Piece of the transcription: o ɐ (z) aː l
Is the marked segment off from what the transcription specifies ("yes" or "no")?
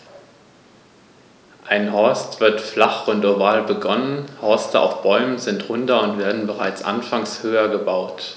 yes